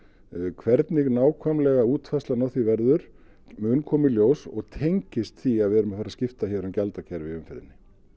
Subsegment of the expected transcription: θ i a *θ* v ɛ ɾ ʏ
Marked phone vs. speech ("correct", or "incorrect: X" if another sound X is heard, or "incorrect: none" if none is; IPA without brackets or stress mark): incorrect: ð